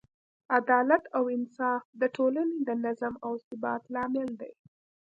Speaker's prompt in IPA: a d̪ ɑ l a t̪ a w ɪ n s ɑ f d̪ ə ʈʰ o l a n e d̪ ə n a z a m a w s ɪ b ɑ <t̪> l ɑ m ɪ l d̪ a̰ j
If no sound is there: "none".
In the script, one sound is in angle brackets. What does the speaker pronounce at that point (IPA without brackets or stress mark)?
t̪